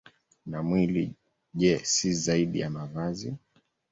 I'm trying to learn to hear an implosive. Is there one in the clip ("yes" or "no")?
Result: yes